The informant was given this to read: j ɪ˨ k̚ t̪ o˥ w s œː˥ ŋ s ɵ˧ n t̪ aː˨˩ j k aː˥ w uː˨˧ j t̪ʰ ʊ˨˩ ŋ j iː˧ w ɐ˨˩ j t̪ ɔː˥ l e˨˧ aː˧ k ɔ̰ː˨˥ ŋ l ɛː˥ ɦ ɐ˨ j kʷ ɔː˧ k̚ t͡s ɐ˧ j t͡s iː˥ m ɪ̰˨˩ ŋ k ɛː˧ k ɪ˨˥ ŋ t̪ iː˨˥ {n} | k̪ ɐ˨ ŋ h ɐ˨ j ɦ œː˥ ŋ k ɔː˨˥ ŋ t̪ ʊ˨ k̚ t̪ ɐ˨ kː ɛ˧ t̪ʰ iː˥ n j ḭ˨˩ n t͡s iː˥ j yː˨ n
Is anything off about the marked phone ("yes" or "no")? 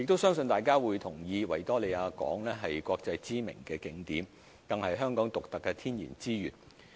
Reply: yes